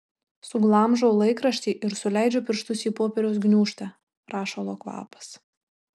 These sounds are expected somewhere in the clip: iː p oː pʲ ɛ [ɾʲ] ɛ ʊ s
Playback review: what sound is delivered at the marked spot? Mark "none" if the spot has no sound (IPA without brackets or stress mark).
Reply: ɾʲ